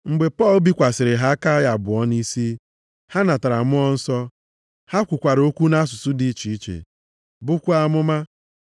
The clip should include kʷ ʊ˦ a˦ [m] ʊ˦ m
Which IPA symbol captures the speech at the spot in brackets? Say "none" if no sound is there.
m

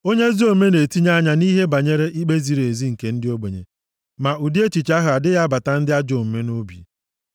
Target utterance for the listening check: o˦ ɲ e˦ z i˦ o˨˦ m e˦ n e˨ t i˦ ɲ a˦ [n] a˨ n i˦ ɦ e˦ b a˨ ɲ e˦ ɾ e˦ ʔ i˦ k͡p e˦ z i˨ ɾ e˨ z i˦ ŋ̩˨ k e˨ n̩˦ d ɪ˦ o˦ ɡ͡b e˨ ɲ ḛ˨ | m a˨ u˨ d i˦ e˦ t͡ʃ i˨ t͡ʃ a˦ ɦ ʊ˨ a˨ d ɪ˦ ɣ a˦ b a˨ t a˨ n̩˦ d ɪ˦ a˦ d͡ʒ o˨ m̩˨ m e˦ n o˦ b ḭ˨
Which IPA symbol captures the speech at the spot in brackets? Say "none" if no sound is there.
ɲ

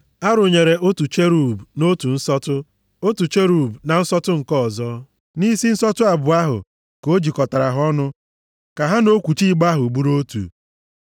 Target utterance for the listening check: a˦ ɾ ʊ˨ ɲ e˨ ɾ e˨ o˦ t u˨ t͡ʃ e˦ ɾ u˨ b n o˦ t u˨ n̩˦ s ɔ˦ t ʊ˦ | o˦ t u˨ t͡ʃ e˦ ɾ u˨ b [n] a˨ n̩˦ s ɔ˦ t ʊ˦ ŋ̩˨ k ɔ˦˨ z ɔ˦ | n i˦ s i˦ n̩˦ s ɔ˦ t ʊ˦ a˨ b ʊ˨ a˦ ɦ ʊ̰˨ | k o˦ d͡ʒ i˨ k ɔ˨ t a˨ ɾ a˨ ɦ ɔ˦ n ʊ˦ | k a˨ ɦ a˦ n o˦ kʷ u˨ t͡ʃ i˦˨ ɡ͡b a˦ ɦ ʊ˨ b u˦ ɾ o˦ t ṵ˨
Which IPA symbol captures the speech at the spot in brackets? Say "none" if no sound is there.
n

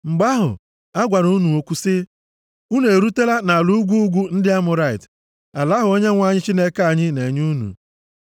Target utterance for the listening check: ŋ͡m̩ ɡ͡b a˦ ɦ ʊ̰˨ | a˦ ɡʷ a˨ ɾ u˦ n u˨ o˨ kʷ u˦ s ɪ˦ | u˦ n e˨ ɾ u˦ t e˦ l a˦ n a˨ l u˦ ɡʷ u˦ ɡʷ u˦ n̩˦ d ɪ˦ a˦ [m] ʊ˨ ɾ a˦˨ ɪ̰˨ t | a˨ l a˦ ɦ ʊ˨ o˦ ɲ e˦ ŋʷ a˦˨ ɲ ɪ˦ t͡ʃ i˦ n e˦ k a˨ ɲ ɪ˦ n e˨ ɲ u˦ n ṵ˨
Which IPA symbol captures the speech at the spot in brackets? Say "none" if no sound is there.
m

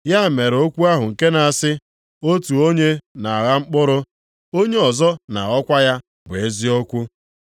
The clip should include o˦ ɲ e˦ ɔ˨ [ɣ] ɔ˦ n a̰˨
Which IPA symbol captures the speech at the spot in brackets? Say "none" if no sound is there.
z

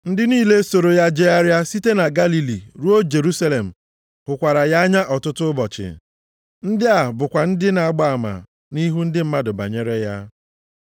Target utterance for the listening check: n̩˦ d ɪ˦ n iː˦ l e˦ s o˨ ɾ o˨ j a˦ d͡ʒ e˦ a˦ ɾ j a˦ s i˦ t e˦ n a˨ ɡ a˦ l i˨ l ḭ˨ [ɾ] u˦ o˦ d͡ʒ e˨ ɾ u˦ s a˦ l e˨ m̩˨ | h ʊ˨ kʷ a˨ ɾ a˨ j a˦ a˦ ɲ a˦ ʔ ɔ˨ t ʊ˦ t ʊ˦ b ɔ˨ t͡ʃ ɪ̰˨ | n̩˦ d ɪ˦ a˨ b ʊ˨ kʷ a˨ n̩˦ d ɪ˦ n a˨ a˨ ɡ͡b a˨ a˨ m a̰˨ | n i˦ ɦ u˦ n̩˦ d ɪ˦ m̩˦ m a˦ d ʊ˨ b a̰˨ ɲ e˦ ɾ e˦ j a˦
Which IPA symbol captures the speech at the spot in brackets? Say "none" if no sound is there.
ɾ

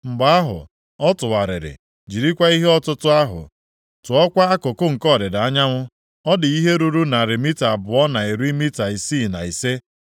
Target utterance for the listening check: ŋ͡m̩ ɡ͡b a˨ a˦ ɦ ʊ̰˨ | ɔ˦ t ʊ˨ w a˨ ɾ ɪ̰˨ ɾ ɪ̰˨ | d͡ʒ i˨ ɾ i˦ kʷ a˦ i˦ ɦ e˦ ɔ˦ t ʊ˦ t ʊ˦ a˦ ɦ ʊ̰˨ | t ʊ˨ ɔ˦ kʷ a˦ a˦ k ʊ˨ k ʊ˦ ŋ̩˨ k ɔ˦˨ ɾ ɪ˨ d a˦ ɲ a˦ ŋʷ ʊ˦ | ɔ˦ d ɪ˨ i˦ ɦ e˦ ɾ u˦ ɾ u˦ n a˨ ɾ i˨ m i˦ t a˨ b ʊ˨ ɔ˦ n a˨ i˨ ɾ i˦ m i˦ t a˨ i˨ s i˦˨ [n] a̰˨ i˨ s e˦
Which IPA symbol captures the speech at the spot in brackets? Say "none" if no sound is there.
n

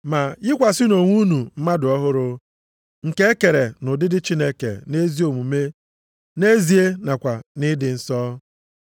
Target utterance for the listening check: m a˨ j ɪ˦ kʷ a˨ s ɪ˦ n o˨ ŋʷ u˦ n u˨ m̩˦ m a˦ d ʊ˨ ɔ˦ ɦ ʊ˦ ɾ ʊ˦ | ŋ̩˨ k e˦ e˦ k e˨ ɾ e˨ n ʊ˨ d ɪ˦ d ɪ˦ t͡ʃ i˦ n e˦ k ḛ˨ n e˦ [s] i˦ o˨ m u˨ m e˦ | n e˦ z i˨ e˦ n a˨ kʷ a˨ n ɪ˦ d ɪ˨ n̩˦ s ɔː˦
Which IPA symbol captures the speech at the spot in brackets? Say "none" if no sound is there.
z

